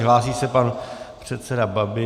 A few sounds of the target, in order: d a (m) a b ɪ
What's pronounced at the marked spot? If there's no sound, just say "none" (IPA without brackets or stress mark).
b